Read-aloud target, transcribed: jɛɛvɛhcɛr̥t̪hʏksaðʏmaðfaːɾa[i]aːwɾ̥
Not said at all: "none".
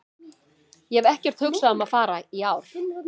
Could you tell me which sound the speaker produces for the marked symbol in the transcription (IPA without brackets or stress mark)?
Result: i